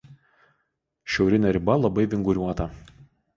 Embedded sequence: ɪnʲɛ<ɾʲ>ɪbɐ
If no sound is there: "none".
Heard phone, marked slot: ɾʲ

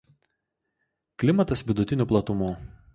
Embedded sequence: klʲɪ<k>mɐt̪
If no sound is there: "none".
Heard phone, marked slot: none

